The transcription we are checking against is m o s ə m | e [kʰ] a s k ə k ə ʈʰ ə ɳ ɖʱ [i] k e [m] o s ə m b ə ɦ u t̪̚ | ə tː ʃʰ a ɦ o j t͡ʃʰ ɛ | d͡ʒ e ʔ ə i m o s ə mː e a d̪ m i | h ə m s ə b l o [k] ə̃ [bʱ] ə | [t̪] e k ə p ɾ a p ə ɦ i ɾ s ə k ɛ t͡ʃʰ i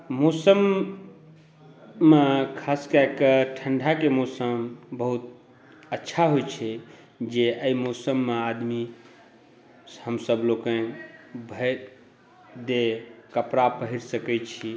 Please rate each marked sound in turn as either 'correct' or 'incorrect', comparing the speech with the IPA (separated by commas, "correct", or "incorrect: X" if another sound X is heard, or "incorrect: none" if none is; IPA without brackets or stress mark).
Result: correct, incorrect: a, correct, correct, correct, incorrect: d̪